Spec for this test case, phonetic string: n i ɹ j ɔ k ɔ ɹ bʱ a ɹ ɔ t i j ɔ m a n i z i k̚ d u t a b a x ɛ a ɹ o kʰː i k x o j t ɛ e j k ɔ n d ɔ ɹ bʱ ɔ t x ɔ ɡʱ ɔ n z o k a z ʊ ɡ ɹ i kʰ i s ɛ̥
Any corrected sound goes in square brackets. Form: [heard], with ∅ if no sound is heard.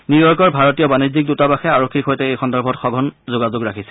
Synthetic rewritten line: n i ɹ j ɔ k ɔ ɹ bʱ a ɹ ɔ t i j ɔ [b] a n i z i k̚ d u t a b a x ɛ a ɹ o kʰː i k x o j t ɛ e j [x] ɔ n d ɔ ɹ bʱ ɔ t x ɔ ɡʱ ɔ n z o [ɡ] a z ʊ ɡ ɹ [a] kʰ i s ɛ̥